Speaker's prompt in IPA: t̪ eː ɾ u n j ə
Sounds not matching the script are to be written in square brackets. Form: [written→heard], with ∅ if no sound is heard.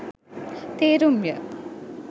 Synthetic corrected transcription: t̪ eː ɾ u [n→m] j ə

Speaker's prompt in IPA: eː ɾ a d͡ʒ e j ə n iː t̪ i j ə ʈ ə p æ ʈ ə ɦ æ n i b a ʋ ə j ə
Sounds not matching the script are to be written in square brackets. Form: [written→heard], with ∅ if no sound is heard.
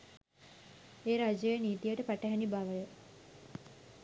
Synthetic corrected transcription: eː ɾ a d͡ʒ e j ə n iː t̪ i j ə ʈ ə p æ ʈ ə ɦ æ n i b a ʋ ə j ə

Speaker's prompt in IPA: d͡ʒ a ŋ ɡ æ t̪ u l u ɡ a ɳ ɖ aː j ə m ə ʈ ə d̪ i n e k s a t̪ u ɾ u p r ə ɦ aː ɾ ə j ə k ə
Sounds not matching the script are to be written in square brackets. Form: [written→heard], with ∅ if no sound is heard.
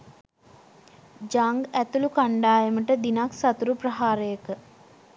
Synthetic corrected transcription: d͡ʒ a ŋ ɡ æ t̪ u l u [ɡ→k] a ɳ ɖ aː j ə m ə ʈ ə d̪ i n [e→a] k s a t̪ u ɾ u p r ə ɦ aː ɾ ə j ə k ə

